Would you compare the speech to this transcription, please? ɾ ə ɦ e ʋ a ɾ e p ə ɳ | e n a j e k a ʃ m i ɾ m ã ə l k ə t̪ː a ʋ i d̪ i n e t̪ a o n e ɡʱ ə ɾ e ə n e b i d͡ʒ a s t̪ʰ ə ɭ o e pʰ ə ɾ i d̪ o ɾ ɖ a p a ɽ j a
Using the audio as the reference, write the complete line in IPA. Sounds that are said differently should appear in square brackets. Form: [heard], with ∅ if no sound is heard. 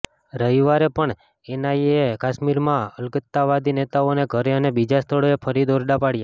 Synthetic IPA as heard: ɾ ə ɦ [i] ʋ a ɾ e p ə ɳ | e n a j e k a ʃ m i ɾ m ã ə l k ə t̪ː a ʋ [a] d̪ i n e t̪ a o n e ɡʱ ə ɾ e ə n e b i d͡ʒ a s t̪ʰ ə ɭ o e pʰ ə ɾ i d̪ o ɾ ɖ a p a ɽ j a